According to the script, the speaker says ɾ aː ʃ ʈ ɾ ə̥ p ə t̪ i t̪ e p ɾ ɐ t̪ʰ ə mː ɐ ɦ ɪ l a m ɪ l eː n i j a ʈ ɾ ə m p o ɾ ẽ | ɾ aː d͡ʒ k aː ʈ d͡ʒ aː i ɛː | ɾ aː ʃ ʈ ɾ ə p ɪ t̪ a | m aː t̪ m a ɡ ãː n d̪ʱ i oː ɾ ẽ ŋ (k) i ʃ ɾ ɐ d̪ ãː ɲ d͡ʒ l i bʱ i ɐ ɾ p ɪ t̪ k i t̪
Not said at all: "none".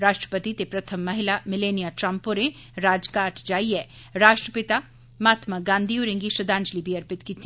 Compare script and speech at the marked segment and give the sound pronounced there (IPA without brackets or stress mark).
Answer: ɡ